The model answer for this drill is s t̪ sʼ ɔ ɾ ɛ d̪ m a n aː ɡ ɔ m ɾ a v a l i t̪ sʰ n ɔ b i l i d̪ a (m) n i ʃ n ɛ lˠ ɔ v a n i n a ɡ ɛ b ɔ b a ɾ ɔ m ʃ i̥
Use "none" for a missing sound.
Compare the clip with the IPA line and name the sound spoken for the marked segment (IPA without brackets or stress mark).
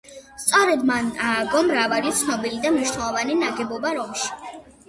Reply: m